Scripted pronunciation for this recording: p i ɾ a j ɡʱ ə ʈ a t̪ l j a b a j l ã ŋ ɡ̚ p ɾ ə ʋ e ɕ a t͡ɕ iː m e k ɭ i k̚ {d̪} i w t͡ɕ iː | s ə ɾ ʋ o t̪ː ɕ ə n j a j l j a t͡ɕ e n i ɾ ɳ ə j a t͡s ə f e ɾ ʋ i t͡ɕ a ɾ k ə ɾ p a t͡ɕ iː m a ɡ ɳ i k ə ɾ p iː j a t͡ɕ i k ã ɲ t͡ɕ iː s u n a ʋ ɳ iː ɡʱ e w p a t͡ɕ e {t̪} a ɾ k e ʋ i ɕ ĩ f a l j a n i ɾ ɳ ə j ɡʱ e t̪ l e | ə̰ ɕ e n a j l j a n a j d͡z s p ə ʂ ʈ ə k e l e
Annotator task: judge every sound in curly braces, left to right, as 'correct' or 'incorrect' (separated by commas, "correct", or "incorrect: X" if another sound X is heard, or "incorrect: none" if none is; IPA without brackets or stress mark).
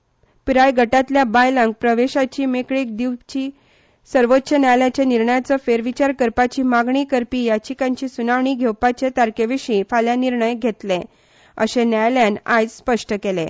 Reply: correct, correct